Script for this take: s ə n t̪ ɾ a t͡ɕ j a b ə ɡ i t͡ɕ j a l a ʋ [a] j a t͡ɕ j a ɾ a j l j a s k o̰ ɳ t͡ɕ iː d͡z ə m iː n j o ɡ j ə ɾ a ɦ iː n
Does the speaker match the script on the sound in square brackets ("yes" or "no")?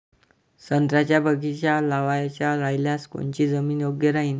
yes